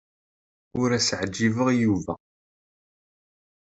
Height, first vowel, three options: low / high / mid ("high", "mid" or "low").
high